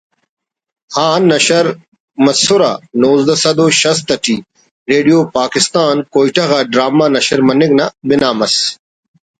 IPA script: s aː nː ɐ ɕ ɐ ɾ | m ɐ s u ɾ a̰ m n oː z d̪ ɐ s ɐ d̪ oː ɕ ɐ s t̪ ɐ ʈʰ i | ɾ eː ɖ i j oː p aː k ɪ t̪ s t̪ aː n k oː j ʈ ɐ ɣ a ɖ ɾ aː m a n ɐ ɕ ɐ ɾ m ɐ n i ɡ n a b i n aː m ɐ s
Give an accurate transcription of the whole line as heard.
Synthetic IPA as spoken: h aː nː ɐ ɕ ɐ ɾ | m ɐ s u ɾ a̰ n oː z d̪ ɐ s ɐ d̪ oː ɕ ɐ s t̪ ɐ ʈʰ i | ɾ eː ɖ i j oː p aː k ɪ s t̪ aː n k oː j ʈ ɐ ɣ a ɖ ɾ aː m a n ɐ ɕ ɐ ɾ m ɐ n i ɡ n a b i n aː m ɐ s